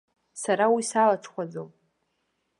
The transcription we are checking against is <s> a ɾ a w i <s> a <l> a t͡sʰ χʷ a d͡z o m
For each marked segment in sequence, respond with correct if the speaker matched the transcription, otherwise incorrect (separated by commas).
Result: correct, correct, correct